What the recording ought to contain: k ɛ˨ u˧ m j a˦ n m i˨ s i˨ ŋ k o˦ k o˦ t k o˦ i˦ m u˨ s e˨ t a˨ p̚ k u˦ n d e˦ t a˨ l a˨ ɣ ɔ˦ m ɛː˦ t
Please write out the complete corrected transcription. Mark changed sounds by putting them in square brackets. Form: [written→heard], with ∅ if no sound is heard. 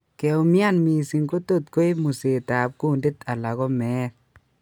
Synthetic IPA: k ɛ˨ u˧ m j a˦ n m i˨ s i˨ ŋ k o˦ [k→t] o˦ t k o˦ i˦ m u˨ s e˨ t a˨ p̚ k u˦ n d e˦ t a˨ l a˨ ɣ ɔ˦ m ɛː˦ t

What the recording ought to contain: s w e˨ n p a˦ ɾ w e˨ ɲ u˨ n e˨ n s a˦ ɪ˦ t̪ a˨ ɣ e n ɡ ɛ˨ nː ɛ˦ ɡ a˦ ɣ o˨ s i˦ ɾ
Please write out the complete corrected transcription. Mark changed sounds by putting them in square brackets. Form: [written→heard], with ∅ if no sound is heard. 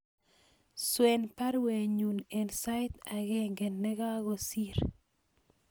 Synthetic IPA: s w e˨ n p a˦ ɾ w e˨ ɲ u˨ n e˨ n s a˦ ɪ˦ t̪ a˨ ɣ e [n→ŋ] ɡ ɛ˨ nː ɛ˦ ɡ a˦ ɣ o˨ s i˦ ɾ

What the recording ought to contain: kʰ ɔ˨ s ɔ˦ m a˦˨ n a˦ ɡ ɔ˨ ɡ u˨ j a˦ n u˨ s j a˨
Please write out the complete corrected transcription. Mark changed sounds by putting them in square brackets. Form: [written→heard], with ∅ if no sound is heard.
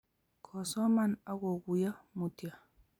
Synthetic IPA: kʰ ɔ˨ s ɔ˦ m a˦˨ n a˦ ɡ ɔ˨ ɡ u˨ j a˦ [n→m] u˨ [s→t] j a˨

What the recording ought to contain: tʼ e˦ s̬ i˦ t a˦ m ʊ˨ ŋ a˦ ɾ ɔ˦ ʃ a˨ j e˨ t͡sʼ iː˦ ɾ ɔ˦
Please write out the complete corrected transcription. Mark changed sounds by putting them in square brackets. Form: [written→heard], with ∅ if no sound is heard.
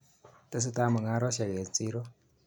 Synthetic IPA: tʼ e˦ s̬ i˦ t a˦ m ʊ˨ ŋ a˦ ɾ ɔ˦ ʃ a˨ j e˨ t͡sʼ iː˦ ɾ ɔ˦

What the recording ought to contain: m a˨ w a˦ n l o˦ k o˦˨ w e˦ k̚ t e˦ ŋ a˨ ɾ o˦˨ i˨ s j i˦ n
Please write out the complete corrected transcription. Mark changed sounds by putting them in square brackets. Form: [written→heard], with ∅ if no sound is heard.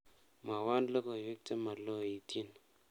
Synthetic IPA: m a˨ w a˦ n l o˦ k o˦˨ w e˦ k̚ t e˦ [ŋ→m] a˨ [ɾ→l] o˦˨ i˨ [s→t] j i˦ n

